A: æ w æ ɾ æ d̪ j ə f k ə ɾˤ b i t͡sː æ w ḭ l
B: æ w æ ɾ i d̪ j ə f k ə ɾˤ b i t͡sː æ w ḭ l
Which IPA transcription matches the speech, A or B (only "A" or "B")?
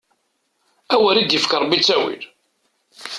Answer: B